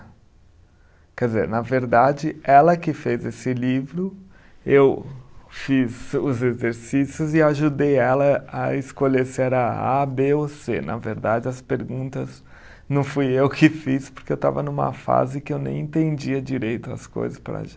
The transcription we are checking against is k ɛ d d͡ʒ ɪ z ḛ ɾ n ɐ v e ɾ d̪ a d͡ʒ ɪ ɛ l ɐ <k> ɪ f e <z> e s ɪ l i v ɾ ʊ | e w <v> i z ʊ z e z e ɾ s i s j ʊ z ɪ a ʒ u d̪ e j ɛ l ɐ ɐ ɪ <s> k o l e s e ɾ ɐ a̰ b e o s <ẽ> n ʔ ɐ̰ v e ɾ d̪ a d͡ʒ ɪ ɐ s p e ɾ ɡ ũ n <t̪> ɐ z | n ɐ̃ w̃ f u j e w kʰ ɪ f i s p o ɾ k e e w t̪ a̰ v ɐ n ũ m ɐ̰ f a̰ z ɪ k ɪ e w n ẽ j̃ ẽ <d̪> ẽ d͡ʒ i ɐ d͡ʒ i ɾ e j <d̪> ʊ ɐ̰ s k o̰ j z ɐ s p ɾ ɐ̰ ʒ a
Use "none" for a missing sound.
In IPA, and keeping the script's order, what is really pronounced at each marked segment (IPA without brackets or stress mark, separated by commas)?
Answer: k, z, f, s, e, t̪, t̪, t̪